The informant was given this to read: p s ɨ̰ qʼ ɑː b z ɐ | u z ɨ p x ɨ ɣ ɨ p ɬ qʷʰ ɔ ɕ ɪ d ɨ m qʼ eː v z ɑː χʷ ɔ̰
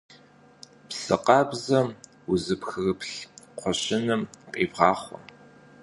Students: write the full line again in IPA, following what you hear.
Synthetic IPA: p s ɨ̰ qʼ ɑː b z ɐ | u z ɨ p x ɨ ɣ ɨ p ɬ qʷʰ ɔ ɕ ɪ n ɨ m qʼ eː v ʁ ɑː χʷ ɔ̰

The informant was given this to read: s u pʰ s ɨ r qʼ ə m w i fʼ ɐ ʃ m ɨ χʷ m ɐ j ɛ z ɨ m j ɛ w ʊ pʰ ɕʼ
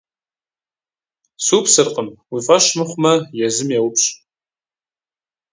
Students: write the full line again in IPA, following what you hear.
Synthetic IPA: s u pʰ s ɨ r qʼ ə m w i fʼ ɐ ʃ m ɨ χʷ m ɐ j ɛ z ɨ m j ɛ w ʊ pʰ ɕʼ

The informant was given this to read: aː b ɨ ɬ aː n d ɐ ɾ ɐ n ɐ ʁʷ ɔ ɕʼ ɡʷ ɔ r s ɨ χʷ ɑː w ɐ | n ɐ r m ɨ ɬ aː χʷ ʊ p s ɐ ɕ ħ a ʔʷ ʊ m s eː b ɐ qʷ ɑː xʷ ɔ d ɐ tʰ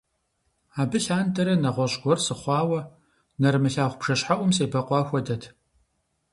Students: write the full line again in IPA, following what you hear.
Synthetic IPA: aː b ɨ ɬ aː n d ɐ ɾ ɐ n ɐ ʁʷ ɔ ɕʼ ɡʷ ɔ r s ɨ χʷ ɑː w ɐ | n ɐ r m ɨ ɬ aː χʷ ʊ p ʂ ɐ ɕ ħ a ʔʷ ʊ m s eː b ɐ qʷ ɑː xʷ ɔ d ɐ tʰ

